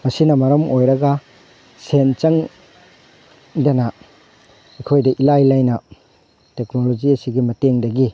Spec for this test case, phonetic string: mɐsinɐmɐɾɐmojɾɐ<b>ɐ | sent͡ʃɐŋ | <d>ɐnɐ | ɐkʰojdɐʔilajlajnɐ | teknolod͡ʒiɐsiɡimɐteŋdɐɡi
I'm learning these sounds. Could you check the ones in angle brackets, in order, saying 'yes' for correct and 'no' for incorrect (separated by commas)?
no, yes